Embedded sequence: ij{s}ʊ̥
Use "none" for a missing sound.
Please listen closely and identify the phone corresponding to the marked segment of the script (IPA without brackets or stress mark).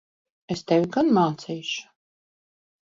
ʃ